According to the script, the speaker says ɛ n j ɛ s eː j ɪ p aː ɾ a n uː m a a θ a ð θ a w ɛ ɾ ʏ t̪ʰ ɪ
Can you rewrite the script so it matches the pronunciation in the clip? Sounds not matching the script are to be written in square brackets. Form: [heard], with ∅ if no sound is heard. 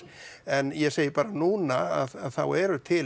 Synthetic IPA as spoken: ɛ n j ɛ s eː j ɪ p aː ɾ a n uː [n] a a [ð] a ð θ a w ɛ ɾ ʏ t̪ʰ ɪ